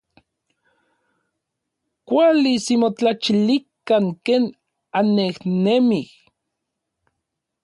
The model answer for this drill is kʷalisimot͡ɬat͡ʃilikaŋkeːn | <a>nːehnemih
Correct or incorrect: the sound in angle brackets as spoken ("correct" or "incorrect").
correct